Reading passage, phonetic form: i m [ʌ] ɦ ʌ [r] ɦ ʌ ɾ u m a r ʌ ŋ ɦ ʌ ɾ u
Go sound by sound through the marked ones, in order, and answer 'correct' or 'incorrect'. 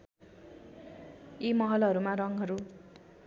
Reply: correct, incorrect

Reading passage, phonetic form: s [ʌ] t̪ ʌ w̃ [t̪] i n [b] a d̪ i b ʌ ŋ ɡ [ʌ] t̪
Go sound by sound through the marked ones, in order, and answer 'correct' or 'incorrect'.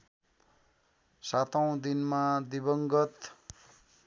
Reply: incorrect, incorrect, incorrect, correct

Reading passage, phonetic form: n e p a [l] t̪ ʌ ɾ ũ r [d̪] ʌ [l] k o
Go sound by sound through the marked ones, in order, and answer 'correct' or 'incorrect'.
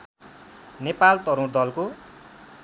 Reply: correct, correct, correct

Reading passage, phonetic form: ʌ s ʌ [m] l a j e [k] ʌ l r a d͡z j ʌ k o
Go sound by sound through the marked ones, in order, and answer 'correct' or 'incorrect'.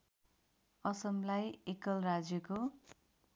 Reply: correct, correct

